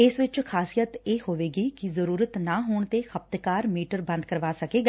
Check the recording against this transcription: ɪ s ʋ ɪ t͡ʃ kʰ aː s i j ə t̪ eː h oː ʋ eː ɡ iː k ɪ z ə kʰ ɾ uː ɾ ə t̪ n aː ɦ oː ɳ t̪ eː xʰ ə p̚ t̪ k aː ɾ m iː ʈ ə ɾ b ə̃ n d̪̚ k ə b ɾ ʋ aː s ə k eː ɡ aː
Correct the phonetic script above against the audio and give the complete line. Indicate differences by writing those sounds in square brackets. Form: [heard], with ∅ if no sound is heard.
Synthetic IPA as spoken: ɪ s ʋ ɪ t͡ʃ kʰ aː s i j ə t̪ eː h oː ʋ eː ɡ iː k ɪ z ə [∅] ɾ uː ɾ ə t̪ n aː ɦ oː ɳ t̪ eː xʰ ə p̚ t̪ k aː ɾ m iː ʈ ə ɾ b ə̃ n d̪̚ k ə [∅] ɾ ʋ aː s ə k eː ɡ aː